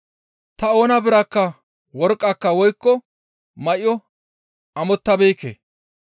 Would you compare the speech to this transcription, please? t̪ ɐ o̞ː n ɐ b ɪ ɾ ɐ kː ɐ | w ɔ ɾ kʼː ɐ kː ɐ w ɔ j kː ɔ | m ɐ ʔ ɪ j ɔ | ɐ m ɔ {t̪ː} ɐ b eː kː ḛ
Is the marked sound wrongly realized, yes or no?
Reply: no